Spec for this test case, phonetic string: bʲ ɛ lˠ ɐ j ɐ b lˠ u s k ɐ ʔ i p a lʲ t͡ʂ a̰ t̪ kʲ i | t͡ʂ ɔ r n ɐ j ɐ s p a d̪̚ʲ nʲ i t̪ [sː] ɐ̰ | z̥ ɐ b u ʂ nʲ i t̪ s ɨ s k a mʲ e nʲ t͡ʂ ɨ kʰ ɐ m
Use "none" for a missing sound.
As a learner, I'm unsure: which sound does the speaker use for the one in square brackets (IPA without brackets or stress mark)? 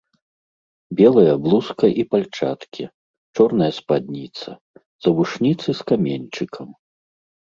s